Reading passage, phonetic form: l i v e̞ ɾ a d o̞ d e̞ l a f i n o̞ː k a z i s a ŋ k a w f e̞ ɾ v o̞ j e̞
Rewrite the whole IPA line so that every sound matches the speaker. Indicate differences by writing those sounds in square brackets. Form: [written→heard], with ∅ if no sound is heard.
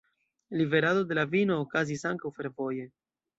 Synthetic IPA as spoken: l i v e̞ ɾ a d o̞ d e̞ l a [f→v] i n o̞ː k a z i s a ŋ k a w f e̞ ɾ v o̞ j e̞